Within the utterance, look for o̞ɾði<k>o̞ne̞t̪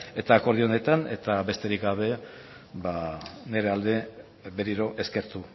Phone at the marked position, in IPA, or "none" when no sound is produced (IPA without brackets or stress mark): none